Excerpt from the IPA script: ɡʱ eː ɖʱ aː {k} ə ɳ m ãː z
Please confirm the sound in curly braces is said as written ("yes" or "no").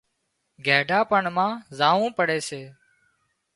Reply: no